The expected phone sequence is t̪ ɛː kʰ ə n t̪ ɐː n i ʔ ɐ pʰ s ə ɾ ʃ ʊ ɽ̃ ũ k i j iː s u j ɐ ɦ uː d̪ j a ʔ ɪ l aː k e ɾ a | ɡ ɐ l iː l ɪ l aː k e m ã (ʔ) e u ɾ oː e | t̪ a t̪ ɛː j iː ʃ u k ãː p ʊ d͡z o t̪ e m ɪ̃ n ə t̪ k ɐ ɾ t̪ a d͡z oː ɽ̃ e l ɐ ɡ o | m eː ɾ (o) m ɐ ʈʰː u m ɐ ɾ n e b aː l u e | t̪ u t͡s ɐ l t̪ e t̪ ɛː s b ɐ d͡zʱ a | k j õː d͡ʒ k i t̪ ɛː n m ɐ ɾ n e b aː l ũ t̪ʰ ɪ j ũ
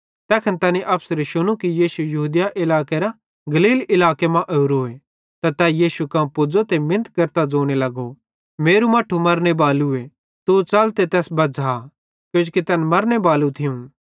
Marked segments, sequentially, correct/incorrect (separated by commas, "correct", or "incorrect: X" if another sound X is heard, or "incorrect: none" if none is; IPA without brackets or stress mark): correct, incorrect: u